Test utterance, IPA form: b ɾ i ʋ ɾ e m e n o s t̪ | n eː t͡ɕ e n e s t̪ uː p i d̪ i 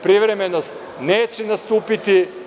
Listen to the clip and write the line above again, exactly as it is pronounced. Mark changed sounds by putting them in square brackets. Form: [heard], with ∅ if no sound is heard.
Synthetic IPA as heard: [p] ɾ i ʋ ɾ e m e n o s t̪ | n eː t͡ɕ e n [a] s t̪ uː p i [t̪] i

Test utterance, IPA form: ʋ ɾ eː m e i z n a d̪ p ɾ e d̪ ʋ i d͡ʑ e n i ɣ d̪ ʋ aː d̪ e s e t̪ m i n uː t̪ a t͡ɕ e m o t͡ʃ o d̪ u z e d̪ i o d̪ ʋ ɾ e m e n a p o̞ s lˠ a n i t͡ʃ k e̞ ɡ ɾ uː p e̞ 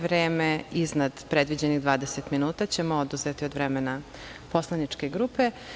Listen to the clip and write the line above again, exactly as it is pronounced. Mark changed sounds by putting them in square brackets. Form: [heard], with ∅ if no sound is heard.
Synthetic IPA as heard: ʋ ɾ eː m e i z n a d̪ p ɾ e d̪ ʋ i d͡ʑ e n i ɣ d̪ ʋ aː d̪ e s e t̪ m i n uː t̪ a t͡ɕ e m o [∅] o d̪ u z e [t̪] i o d̪ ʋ ɾ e m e n a p o̞ s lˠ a n i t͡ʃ k e̞ ɡ ɾ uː p e̞

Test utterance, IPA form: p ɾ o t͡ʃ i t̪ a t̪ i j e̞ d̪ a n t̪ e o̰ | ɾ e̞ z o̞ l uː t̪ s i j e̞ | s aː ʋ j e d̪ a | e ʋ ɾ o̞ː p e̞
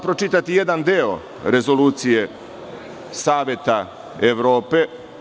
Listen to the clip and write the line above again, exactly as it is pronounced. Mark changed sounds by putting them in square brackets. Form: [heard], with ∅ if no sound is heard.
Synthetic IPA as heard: p ɾ o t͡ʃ i t̪ a t̪ i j e̞ d̪ a n [d̪] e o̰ | ɾ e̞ z o̞ l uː t̪ s i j e̞ | s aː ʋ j e [t̪] a | e ʋ ɾ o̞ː p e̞

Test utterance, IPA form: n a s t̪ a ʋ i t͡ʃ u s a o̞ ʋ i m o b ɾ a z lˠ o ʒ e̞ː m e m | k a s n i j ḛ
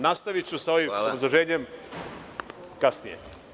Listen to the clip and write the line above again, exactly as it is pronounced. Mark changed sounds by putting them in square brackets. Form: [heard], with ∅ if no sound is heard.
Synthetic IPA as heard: n a s t̪ a ʋ i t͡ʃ u s a o̞ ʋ i m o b ɾ a z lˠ o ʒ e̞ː [ɲ] e m | k a s n i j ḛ

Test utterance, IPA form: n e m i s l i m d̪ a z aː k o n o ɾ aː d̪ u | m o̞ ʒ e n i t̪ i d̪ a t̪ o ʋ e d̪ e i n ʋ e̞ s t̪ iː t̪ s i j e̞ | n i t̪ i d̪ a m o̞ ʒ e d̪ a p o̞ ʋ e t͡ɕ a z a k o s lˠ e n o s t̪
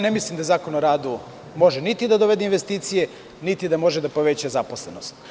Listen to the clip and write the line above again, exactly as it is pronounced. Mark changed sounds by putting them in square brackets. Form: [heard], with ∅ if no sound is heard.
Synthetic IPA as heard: n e m i s l i m d̪ a z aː k o n o ɾ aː d̪ u | m o̞ ʒ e n i t̪ i d̪ a [d̪] o ʋ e d̪ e i n ʋ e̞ s t̪ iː t̪ s i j e̞ | n i t̪ i d̪ a m o̞ ʒ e d̪ a p o̞ ʋ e t͡ɕ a z a [p] o s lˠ e n o s t̪

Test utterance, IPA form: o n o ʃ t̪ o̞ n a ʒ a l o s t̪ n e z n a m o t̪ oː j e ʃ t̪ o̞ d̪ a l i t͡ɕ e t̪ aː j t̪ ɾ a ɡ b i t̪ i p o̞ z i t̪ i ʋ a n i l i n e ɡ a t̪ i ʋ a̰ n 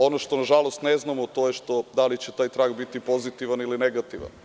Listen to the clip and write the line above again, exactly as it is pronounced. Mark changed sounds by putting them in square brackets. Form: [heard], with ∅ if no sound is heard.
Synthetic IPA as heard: o n o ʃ t̪ o̞ n a ʒ a l o s t̪ n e z n a m o t̪ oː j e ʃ t̪ o̞ d̪ a l i t͡ɕ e t̪ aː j t̪ ɾ a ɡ b i t̪ i p o̞ z i t̪ i ʋ a n i l i n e ɡ a t̪ i ʋ a̰ n

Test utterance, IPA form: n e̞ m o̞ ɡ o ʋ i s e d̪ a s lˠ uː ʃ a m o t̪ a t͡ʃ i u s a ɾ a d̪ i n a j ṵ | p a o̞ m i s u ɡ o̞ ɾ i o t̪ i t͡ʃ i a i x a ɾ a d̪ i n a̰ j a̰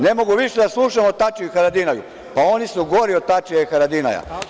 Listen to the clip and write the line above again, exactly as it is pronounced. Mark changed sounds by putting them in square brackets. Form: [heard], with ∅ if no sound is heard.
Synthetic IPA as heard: n e̞ m o̞ ɡ [u] ʋ i [ʃ] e d̪ a s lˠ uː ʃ a m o t̪ a t͡ʃ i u [x] a ɾ a d̪ i n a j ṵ | p a o̞ [n] i s u ɡ o̞ ɾ i o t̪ [a] t͡ʃ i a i x a ɾ a d̪ i n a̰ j a̰

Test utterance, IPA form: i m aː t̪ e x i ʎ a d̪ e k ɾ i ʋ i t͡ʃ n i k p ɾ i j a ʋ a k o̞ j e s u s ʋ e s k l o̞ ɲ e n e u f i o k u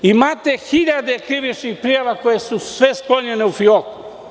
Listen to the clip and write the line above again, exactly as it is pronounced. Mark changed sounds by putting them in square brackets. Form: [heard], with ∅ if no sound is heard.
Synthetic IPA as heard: i m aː t̪ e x i ʎ a d̪ e k ɾ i ʋ i t͡ʃ n i [x] p ɾ i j a ʋ a k o̞ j e s u s ʋ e s k l o̞ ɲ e n e u f i o k u

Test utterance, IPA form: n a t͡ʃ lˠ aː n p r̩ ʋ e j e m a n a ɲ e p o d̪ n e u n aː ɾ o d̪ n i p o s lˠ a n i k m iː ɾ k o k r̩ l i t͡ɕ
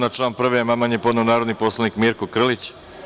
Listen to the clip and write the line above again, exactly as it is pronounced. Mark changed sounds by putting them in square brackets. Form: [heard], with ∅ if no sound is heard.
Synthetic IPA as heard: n a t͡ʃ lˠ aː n p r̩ ʋ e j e m a [m] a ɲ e p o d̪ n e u n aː ɾ o d̪ n i p o s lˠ a n i k m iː ɾ k o k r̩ l i t͡ɕ

